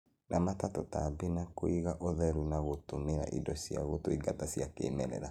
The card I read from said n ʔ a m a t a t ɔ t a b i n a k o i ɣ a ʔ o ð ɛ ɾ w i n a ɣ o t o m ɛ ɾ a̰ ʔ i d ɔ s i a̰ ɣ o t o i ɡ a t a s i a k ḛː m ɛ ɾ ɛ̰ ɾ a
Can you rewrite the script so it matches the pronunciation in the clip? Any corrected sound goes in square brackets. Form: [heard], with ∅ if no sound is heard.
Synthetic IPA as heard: n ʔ a m a t a t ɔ t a b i n a k o i ɣ a ʔ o ð ɛ ɾ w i n a ɣ o t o m [e] ɾ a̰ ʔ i d ɔ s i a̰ ɣ o t o i ɡ a t a s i a k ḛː m ɛ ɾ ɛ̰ ɾ a